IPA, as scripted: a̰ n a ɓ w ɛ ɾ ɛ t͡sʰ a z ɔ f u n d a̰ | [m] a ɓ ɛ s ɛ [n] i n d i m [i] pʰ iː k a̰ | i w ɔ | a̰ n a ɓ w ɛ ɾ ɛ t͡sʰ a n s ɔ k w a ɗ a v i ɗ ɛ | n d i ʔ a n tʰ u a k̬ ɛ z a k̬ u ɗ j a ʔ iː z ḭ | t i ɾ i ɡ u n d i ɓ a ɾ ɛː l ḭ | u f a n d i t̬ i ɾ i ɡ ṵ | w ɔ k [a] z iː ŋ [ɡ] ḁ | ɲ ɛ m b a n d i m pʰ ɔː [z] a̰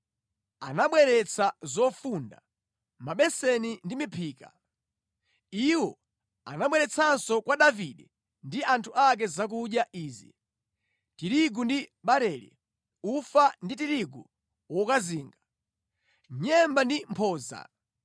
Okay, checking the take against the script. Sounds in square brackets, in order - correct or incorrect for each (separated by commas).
correct, correct, correct, correct, correct, correct